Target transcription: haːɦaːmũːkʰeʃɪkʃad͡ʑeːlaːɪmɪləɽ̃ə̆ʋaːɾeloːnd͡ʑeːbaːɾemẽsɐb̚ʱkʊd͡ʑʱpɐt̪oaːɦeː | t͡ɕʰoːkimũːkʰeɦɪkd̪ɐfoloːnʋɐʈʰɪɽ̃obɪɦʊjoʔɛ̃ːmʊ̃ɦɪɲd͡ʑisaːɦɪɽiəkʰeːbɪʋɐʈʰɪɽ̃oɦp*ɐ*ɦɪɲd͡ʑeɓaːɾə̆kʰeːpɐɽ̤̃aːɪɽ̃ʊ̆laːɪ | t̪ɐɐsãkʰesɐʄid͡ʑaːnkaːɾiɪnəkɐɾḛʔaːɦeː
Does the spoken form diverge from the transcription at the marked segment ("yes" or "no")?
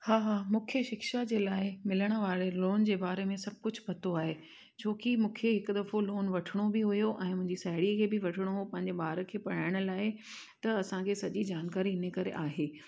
yes